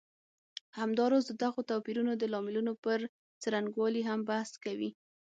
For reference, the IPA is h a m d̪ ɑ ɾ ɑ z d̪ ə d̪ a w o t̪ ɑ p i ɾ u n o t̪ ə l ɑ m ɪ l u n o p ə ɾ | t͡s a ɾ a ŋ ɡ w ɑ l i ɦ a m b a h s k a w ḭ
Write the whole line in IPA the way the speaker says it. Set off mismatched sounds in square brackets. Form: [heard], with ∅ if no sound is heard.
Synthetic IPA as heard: h a m d̪ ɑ ɾ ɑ z d̪ ə d̪ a [ɣ] o t̪ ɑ p i ɾ u n o [d̪] ə l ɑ m ɪ l u n o p ə ɾ | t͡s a ɾ a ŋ ɡ w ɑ l i ɦ a m b a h s k a w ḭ